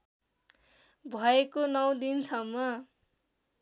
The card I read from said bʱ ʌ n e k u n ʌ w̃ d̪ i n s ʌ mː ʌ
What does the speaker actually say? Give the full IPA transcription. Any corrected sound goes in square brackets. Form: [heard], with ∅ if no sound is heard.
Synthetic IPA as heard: bʱ ʌ [∅] e k [o] n ʌ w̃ d̪ i n s ʌ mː ʌ